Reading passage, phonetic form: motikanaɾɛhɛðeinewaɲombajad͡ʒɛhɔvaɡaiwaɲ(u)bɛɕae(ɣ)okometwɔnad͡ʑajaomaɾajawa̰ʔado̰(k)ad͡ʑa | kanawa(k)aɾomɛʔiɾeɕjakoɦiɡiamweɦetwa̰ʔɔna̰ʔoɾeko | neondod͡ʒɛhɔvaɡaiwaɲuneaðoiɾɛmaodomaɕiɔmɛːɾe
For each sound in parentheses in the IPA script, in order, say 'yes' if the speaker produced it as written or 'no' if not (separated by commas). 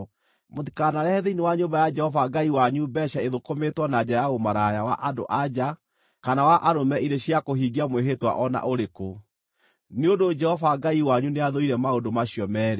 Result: yes, no, no, no